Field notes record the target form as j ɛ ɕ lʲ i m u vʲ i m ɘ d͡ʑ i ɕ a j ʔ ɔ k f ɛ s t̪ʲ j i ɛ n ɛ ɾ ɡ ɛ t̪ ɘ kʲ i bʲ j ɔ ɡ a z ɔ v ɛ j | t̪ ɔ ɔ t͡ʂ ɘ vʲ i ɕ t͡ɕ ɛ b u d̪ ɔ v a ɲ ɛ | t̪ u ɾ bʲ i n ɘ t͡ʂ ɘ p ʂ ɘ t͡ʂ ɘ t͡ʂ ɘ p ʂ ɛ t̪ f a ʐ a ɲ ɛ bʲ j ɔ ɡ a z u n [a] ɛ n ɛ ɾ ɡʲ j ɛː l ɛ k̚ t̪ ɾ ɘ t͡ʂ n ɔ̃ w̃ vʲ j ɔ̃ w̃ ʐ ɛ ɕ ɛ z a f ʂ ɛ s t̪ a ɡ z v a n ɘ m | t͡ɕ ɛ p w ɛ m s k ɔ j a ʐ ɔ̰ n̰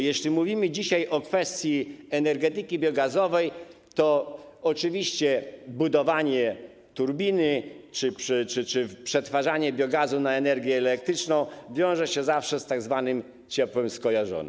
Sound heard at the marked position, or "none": a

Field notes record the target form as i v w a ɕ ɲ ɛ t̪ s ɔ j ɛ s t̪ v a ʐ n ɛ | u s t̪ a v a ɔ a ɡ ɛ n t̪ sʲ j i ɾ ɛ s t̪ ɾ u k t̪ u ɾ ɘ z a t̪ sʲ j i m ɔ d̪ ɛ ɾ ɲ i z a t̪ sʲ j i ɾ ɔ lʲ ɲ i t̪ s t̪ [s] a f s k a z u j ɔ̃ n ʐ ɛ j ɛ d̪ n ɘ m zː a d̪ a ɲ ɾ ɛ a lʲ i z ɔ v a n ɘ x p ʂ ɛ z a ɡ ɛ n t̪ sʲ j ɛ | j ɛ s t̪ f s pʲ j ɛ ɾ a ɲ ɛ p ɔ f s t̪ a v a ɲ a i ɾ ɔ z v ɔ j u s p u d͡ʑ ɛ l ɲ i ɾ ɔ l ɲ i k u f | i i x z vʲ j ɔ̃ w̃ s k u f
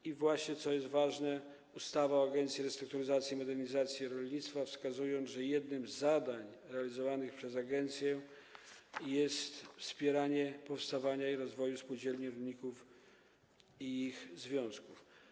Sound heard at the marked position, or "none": f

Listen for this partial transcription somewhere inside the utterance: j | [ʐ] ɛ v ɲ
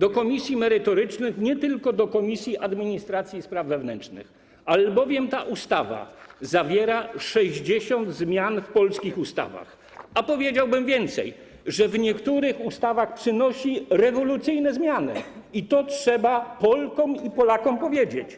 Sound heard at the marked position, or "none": ʐ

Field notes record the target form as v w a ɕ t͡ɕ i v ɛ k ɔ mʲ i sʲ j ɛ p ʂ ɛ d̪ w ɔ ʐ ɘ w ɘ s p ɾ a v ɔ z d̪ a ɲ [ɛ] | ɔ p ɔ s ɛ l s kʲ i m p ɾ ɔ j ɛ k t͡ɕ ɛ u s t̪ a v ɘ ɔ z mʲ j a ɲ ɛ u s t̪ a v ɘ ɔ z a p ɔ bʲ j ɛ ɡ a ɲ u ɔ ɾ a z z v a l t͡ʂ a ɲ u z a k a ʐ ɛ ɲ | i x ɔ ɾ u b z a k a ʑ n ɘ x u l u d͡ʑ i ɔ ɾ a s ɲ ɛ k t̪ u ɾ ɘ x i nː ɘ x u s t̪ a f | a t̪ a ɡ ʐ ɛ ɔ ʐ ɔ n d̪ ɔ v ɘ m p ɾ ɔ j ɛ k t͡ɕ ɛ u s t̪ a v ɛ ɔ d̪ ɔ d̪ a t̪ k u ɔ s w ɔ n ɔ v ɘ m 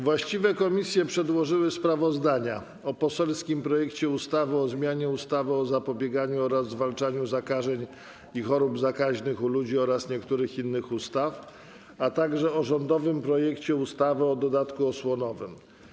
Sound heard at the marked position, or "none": a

